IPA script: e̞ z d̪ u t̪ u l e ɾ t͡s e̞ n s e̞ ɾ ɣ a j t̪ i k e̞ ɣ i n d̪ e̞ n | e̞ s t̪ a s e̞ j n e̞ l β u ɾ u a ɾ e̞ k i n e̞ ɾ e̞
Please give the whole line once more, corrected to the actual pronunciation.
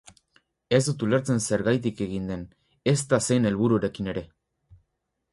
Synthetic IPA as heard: e̞ z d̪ u t̪ u l e ɾ t͡s e̞ n s e̞ ɾ ɣ a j t̪ i k e̞ ɣ i n d̪ e̞ n | e̞ s t̪ a s e̞ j n e̞ l β u ɾ u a ɾ e̞ k i n e̞ ɾ e̞